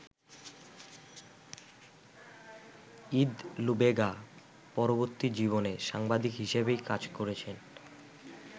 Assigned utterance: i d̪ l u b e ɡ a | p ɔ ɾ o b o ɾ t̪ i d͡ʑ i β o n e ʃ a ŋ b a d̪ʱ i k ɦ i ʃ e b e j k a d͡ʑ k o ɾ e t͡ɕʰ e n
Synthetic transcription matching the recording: i d̪ l u b e ɡ a | p ɔ ɾ o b o ɾ t̪ i d͡ʑ i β o n e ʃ a ŋ b a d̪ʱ i k ɦ i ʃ e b e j k a d͡ʑ k o ɾ e t͡ɕʰ e n